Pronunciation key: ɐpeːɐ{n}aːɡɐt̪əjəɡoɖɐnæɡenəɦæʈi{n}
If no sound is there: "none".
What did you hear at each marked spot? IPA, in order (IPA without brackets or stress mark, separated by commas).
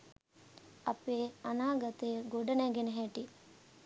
n, none